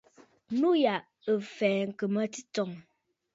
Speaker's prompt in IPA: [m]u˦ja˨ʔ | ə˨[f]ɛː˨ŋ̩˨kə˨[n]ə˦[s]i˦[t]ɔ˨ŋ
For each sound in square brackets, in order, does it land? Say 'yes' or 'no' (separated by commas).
no, yes, no, no, yes